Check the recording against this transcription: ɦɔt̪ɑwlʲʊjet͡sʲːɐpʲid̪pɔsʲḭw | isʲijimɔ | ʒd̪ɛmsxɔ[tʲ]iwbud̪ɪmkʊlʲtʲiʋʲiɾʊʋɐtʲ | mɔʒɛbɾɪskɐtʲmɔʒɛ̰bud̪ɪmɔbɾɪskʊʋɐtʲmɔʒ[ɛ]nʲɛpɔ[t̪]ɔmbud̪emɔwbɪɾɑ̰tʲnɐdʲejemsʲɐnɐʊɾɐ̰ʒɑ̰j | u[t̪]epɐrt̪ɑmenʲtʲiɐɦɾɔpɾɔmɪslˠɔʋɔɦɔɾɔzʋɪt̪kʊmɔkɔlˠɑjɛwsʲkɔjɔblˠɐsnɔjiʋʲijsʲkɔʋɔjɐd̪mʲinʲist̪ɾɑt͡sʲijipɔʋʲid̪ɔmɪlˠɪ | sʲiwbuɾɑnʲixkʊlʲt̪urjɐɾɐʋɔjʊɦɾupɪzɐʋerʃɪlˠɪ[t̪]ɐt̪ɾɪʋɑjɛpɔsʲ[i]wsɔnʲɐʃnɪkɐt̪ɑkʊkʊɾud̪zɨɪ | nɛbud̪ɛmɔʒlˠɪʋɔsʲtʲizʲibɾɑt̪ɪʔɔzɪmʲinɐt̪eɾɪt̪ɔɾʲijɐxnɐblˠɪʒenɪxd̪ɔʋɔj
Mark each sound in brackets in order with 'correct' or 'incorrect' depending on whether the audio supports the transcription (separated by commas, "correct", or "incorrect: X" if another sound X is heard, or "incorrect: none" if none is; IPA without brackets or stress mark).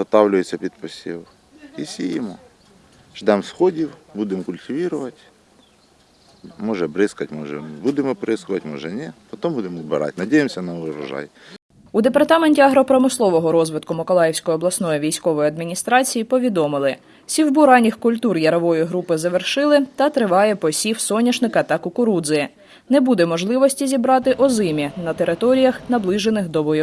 incorrect: dʲ, correct, correct, incorrect: d̪, correct, correct